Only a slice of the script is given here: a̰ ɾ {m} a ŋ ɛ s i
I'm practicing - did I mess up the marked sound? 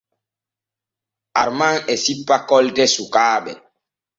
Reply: no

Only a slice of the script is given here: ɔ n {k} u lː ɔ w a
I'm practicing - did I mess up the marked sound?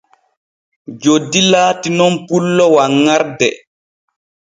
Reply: yes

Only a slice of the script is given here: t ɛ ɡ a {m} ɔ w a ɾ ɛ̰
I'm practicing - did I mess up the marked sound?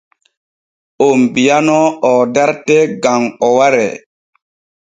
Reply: yes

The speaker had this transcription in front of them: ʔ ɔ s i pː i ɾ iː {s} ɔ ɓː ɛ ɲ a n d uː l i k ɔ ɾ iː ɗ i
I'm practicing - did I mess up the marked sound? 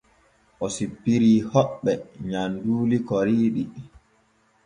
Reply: yes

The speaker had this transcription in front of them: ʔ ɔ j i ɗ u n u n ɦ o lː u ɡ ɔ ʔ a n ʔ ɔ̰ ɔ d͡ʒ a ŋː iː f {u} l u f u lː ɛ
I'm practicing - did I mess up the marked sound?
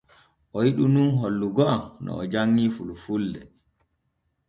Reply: no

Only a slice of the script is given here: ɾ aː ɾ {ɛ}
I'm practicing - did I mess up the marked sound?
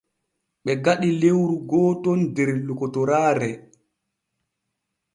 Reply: no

